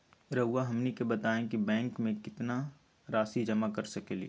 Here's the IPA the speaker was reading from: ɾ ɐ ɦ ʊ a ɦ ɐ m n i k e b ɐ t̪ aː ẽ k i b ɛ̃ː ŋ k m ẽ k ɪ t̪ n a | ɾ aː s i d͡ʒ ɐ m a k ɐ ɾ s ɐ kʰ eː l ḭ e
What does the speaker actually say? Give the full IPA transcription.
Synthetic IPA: ɾ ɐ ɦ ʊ a ɦ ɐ m n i k e b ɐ t̪ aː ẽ k i b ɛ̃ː ŋ k m ẽ k ɪ t̪ n a | ɾ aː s i d͡ʒ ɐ m a k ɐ ɾ s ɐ k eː l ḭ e